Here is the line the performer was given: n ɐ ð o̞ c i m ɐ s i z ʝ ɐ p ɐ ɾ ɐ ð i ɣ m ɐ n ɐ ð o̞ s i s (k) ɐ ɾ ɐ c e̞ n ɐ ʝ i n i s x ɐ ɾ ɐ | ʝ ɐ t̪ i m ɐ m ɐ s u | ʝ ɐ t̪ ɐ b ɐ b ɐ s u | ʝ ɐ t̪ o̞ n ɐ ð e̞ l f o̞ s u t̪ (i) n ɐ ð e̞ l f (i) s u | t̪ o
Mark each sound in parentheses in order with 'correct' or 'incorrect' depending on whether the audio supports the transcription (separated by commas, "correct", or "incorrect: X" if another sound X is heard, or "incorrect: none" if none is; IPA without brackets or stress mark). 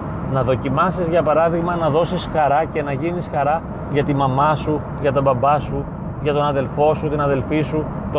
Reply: incorrect: x, correct, correct